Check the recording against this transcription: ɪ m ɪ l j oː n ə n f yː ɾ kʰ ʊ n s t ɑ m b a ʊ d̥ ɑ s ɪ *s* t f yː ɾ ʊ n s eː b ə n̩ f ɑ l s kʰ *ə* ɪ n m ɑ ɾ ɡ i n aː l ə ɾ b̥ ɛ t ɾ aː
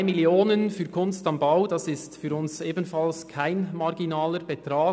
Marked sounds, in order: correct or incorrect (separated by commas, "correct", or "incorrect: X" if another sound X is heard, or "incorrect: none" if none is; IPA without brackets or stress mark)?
correct, incorrect: a